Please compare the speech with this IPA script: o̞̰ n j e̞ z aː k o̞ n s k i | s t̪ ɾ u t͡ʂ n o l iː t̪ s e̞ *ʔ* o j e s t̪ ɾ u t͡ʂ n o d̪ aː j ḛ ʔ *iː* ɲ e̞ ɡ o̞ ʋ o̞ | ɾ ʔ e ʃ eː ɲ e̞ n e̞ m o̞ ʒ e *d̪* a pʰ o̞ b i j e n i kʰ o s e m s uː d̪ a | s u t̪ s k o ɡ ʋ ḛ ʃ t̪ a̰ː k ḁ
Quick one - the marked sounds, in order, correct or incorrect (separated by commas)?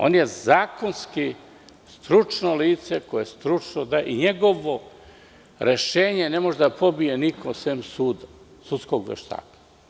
incorrect, incorrect, correct